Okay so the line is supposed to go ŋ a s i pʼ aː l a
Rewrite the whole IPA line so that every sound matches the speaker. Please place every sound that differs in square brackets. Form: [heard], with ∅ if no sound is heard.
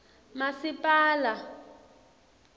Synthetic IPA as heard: [m] a s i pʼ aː l a